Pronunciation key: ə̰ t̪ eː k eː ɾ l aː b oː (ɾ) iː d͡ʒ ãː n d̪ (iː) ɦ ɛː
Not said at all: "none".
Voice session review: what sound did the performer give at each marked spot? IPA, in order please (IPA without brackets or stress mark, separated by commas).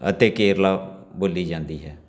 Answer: l, iː